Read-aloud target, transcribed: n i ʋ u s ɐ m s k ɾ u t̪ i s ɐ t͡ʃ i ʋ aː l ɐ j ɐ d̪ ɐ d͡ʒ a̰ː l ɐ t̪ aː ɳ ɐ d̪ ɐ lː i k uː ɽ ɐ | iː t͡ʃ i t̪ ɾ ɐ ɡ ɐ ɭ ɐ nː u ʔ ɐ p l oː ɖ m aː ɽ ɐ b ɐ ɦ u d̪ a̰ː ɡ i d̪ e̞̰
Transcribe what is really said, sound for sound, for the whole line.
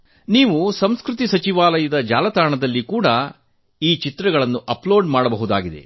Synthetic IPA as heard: n iː ʋ u s ɐ m s k ɾ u t̪ i s ɐ t͡ʃ i ʋ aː l ɐ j ɐ d̪ ɐ d͡ʒ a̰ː l ɐ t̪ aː ɳ ɐ d̪ ɐ lː i k uː ɽ ɐ | iː t͡ʃ i t̪ ɾ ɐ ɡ ɐ ɭ ɐ nː u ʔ ɐ p l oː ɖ m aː ɽ ɐ b ɐ ɦ u d̪ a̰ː ɡ i d̪ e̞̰